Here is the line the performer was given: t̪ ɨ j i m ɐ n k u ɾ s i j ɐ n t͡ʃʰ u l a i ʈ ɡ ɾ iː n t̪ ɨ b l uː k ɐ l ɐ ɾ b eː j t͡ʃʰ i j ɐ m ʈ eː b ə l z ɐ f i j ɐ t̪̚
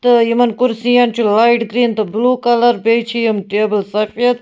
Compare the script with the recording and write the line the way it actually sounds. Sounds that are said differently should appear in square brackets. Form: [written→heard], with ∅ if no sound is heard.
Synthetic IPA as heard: t̪ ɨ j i m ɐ n k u ɾ s i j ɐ n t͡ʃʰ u l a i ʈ ɡ ɾ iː n t̪ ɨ b l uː k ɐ l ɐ ɾ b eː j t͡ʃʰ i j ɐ m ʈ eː b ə l [z→s] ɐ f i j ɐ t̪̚